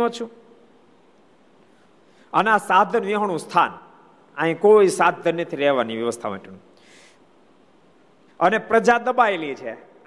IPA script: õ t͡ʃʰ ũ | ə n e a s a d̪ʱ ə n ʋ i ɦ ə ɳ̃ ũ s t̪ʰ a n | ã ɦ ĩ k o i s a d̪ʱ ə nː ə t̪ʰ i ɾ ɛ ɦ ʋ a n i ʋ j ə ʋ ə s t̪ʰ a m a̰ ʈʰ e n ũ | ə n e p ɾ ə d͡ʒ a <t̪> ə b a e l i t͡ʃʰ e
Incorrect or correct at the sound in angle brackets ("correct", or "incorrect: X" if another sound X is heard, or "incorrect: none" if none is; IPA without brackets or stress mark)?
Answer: incorrect: d̪